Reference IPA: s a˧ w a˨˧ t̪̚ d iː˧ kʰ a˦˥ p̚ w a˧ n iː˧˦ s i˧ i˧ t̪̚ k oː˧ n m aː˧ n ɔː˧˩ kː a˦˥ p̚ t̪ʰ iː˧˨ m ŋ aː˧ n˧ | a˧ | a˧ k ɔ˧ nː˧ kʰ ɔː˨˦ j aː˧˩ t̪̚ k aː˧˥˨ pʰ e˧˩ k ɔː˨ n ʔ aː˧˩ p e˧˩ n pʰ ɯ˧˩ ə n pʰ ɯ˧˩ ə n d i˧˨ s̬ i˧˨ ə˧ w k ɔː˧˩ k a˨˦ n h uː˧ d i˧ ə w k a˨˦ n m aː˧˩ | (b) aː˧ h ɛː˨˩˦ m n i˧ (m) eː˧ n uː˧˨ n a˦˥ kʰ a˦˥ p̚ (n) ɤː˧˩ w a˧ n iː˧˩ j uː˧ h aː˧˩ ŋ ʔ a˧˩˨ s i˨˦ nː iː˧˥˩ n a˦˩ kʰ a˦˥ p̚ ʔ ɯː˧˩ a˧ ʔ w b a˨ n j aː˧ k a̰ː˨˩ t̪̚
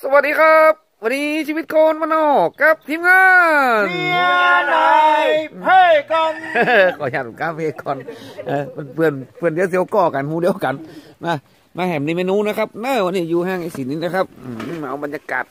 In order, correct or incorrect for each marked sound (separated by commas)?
incorrect, correct, correct